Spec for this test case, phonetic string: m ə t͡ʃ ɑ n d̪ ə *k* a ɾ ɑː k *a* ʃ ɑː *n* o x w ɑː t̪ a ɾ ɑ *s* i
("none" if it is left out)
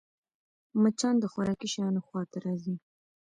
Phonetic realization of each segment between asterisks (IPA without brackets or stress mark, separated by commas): x, i, n, z